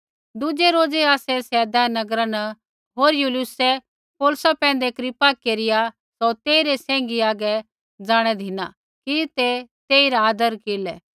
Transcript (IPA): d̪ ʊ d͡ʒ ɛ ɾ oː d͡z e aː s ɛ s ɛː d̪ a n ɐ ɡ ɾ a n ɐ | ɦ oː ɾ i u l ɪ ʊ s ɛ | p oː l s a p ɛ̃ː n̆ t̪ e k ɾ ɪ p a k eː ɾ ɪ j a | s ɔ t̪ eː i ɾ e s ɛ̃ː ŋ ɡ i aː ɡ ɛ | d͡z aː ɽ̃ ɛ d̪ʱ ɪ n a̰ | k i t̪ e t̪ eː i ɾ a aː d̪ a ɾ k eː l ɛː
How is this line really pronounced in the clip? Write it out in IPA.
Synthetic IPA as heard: d̪ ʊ d͡ʒ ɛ ɾ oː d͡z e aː s ɛ s ɛː d̪ a n ɐ ɡ ɾ a n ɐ | ɦ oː ɾ j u l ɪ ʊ s ɛ | p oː l s a p ɛ̃ː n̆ d̪ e k ɾ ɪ p a k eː ɾ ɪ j a | s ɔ t̪ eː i ɾ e s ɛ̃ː ŋ ɡ i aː ɡ ɛ | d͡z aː ɽ̃ ɛ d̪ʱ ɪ n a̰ | k i t̪ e t̪ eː i ɾ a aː d̪ ə ɾ k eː l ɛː